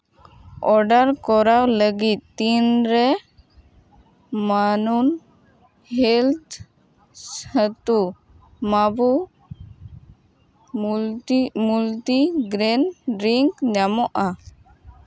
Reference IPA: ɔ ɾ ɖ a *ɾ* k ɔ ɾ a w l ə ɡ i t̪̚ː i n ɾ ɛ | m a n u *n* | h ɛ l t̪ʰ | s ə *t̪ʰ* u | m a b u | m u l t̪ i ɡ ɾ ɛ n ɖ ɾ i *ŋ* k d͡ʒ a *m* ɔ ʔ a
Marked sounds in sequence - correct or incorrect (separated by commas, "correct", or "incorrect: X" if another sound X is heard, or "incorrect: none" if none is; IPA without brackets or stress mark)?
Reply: correct, correct, incorrect: t̪, correct, correct